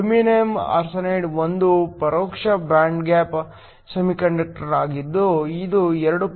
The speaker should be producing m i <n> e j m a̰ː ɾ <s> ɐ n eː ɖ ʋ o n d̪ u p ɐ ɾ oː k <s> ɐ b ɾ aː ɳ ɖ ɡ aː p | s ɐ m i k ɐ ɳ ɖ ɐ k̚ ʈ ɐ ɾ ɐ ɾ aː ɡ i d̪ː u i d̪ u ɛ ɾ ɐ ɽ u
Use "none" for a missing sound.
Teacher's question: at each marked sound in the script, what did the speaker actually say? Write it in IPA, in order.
n, s, ʂ

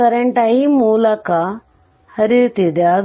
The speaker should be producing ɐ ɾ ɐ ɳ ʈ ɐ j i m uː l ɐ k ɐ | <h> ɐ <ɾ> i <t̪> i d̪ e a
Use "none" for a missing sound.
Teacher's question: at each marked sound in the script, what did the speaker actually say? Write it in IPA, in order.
h, ɾ, t̪

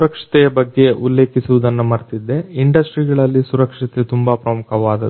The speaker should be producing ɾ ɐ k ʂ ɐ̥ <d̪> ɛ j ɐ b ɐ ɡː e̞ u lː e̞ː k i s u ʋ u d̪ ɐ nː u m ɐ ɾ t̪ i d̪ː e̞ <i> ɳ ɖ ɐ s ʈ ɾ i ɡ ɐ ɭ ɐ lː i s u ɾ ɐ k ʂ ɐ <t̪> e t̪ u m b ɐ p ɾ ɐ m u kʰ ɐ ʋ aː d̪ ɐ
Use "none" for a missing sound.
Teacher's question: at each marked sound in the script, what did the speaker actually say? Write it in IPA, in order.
t̪, i, t̪

